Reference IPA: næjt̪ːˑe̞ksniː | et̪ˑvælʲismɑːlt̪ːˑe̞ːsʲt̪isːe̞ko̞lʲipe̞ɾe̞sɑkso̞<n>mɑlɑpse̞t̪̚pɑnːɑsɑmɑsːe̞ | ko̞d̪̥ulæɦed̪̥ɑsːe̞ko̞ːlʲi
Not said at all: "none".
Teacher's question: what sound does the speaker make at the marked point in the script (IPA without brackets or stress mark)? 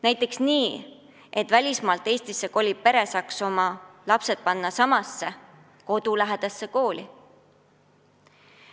none